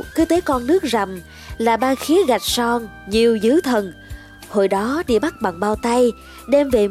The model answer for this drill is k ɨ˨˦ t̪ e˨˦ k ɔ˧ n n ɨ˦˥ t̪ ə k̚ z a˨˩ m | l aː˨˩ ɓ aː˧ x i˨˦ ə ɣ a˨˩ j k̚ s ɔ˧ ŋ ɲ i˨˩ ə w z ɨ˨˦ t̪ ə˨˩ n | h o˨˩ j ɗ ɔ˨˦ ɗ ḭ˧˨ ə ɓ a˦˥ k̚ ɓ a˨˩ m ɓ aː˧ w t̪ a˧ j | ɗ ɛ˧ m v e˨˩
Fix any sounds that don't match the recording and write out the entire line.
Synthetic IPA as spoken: k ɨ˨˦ t̪ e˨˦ k ɔ˧ n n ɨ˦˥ ə k̚ z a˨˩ m | l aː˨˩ ɓ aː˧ x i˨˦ ə ɣ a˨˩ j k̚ s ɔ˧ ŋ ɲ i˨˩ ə w z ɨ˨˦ t̪ʰ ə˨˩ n | h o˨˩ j ɗ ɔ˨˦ ɗ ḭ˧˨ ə ɓ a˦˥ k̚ ɓ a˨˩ ŋ ɓ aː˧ w t̪ a˧ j | ɗ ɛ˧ m v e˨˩